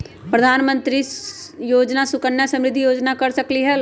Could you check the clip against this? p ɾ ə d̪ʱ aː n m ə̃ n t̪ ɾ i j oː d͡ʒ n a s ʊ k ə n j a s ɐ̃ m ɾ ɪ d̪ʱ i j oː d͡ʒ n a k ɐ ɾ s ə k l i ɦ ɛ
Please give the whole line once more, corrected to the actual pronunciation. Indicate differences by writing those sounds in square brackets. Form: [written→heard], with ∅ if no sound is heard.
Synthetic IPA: p ɾ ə d̪ʱ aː n m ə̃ n t̪ ɾ i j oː d͡ʒ n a s ʊ k ə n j a s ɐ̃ m ɾ ɪ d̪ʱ i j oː d͡ʒ n a k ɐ ɾ s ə k l i ɦ ɛ